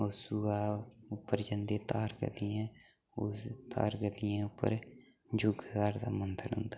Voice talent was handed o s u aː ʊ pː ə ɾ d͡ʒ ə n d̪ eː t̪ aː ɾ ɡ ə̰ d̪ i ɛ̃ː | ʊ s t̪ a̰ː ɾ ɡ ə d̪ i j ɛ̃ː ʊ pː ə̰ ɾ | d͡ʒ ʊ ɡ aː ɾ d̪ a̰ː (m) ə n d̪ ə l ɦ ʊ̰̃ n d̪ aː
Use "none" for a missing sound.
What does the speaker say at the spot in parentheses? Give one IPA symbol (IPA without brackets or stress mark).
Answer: m